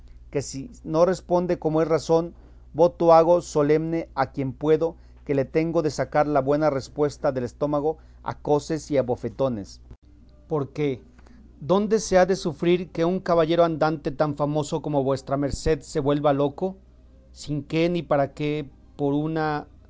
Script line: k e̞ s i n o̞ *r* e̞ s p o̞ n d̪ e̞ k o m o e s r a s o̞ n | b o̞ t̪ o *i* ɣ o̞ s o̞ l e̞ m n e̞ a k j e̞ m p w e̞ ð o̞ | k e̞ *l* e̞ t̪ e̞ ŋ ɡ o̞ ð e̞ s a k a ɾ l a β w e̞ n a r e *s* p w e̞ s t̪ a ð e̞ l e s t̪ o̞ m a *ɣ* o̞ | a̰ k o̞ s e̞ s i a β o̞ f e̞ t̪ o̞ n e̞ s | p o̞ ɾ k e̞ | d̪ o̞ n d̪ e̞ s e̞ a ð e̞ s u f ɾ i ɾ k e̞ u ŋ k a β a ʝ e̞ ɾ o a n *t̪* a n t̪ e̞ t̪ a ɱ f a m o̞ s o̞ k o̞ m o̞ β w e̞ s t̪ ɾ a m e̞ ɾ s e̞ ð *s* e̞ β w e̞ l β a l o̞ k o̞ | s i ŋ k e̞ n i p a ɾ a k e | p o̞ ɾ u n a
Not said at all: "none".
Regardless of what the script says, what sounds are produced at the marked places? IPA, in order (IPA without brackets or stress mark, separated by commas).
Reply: r, a, l, s, ɣ, d̪, s